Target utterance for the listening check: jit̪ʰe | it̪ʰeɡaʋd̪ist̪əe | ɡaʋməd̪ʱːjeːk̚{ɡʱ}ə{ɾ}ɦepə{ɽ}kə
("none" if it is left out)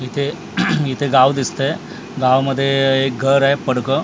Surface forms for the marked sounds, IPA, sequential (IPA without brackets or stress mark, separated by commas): ɡʱ, ɾ, ɽ